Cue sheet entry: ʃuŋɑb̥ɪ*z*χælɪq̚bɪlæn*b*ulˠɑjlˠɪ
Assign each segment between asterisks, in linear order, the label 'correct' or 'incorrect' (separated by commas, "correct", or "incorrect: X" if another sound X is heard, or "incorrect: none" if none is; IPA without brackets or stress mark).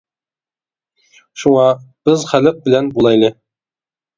correct, correct